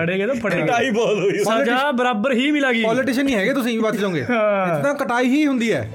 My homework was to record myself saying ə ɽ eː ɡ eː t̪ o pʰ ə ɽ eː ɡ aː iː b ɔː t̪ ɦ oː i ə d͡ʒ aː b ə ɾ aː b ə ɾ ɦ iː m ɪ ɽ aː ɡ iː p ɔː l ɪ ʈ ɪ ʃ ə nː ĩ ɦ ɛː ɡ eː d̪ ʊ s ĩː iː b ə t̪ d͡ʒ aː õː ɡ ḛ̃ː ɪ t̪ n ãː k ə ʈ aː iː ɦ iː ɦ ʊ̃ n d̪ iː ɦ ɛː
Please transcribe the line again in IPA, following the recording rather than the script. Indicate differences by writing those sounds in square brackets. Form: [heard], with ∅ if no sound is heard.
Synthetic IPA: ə ɽ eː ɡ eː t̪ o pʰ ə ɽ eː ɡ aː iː b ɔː t̪ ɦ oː i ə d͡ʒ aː b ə ɾ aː b ə ɾ ɦ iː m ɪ [l] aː ɡ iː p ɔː l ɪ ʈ ɪ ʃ ə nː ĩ ɦ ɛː ɡ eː [t̪] ʊ s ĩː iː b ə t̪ d͡ʒ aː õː ɡ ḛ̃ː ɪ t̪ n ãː k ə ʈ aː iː ɦ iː ɦ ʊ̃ n d̪ iː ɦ ɛː